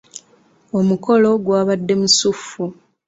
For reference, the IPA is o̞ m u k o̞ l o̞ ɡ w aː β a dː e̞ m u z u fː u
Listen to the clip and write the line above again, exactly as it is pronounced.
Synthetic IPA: o̞ m u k o̞ l o̞ ɡ w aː β a dː e̞ m u s u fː u